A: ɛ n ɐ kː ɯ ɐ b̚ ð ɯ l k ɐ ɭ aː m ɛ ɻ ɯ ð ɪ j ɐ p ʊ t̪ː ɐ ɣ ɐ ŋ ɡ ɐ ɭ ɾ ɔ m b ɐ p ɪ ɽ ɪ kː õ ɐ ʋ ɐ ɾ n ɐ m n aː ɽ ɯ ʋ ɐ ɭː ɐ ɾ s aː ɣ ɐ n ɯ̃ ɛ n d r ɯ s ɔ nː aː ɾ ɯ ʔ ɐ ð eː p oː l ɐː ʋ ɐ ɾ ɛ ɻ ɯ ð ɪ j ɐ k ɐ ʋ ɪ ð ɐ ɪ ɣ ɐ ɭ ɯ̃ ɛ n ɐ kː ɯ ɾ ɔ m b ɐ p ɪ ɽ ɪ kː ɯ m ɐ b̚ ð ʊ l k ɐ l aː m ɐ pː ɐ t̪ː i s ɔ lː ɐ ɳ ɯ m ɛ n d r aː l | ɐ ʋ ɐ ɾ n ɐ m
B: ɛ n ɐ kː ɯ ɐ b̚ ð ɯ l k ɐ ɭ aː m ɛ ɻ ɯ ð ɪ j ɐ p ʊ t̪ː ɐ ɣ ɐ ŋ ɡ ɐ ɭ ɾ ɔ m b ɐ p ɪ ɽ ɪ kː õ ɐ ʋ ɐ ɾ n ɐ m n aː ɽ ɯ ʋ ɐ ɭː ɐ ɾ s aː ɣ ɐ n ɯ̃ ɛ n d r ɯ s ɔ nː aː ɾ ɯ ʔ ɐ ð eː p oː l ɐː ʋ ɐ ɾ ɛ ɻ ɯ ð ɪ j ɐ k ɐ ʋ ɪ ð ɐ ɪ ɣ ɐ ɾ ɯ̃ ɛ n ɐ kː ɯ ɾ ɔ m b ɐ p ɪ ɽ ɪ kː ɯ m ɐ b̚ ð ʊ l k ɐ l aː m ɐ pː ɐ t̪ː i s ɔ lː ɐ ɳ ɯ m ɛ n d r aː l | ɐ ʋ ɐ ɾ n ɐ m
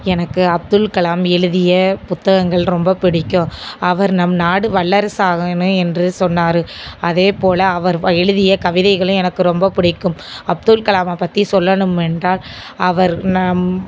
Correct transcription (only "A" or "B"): A